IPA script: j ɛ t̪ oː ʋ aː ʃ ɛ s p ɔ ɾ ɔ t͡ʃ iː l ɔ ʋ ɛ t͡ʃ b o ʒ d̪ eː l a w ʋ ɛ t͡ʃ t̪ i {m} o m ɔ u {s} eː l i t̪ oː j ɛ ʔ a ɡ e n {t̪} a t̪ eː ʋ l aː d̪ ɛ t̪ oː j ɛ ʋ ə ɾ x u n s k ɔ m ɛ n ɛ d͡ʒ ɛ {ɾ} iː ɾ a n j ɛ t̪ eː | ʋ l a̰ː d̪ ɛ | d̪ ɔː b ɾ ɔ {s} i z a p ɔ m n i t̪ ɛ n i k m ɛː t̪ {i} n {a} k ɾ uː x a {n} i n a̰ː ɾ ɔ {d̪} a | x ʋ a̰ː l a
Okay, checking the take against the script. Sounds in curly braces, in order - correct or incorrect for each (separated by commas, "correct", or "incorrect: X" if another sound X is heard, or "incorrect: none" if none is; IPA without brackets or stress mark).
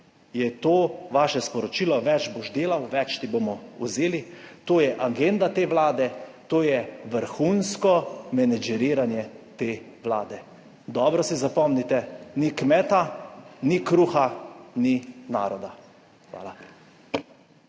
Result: incorrect: b, incorrect: z, incorrect: d̪, correct, correct, incorrect: a, incorrect: i, correct, correct